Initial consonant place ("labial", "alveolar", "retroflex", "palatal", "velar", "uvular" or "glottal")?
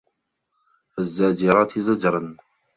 labial